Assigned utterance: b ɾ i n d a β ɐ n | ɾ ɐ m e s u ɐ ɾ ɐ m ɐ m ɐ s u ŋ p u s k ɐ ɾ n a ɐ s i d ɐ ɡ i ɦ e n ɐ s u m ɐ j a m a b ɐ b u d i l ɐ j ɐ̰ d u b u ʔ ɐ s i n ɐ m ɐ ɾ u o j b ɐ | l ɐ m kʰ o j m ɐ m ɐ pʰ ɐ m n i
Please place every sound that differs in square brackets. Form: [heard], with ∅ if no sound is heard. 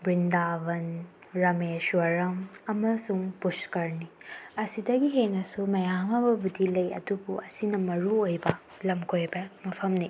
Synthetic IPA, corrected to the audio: b ɾ i n d a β ɐ n | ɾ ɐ m e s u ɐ ɾ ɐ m ɐ m ɐ s u ŋ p u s k ɐ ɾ n [i] ɐ s i d ɐ ɡ i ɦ e n ɐ s u m ɐ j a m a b ɐ b u d i l ɐ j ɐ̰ d u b u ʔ ɐ s i n ɐ m ɐ ɾ u o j b ɐ | l ɐ m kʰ o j [b] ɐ m ɐ pʰ ɐ m n i